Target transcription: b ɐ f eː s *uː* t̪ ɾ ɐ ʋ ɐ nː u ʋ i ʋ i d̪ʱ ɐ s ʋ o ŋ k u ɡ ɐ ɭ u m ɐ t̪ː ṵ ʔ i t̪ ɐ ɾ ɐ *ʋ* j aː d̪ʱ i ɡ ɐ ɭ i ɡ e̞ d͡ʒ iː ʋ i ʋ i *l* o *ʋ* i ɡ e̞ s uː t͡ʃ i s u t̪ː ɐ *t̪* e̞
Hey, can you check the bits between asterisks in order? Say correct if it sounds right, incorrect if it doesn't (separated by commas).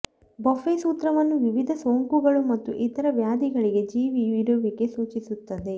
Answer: correct, correct, incorrect, correct, incorrect